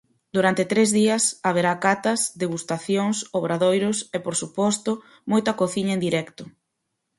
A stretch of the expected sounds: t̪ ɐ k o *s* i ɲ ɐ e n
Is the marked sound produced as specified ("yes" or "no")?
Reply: no